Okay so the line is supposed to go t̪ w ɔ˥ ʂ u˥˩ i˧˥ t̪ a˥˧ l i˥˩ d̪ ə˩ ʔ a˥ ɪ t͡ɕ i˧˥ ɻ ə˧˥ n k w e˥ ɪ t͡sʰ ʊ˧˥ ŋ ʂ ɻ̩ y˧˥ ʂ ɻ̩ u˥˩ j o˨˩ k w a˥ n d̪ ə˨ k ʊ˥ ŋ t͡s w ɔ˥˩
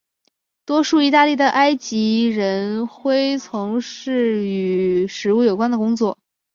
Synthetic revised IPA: t̪ w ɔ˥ ʂ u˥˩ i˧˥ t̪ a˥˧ l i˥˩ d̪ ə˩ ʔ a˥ ɪ t͡ɕ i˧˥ ɻ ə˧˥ n x w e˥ ɪ t͡sʰ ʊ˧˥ ŋ ʂ ɻ̩ y˨˩ ʂ ɻ̩ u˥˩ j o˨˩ k w a˥ n d̪ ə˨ k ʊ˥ ŋ t͡s w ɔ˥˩